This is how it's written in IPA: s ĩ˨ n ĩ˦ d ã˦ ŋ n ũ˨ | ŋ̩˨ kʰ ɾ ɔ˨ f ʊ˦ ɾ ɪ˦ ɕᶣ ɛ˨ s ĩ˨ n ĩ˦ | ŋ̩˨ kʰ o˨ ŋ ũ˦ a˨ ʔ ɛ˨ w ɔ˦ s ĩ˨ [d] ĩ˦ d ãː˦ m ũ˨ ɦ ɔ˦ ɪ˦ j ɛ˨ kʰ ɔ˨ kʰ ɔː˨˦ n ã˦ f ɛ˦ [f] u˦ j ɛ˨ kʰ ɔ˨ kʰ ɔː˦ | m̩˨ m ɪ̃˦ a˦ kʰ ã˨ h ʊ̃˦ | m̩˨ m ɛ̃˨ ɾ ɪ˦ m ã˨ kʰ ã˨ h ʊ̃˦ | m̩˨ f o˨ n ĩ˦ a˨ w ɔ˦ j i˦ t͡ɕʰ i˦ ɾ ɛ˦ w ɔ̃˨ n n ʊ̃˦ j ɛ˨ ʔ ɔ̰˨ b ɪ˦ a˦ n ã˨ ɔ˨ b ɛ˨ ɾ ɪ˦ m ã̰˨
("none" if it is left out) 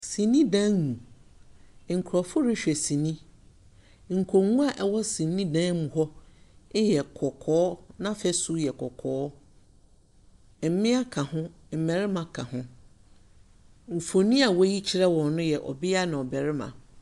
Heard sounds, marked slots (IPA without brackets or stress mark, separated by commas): n, s